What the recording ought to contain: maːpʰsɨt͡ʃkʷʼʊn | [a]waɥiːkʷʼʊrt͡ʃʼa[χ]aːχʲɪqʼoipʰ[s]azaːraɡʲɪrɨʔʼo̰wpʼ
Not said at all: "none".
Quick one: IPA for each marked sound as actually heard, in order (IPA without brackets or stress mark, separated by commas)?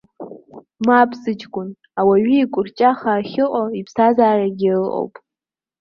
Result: a, χ, s